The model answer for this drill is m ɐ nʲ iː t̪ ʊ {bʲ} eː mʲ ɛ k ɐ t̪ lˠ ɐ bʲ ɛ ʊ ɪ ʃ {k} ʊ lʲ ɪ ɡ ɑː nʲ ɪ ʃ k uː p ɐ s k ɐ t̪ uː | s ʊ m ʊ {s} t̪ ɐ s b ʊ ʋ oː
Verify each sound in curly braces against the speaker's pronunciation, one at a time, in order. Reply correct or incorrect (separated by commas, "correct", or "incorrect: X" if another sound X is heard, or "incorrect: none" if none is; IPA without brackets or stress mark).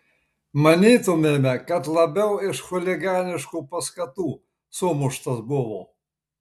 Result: incorrect: mʲ, incorrect: x, incorrect: ʃ